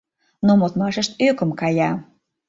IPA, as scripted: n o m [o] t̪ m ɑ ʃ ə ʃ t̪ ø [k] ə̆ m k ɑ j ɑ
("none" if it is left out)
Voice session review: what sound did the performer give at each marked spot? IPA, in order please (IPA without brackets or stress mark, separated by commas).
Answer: o, k